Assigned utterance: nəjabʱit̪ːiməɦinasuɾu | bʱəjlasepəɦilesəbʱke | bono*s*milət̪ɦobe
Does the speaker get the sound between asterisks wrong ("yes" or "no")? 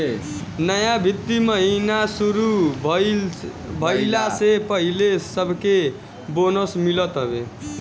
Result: no